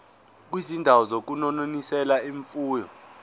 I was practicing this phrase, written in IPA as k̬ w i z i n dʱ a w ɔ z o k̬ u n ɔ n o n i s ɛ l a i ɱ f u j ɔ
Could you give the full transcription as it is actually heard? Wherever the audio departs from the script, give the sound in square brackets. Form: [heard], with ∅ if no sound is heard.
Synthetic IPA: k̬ w i z i n dʱ a w ɔ z o k̬ u n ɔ n o n i s ɛ l a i ɱ f [uː] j ɔ